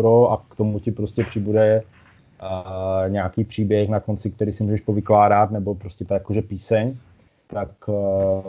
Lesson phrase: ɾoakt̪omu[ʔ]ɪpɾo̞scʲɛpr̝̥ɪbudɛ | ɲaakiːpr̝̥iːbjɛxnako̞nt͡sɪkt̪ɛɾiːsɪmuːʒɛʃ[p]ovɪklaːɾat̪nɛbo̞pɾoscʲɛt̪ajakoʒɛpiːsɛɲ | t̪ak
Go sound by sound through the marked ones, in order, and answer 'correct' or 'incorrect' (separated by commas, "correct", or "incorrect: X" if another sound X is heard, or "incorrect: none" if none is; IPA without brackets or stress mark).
incorrect: c, correct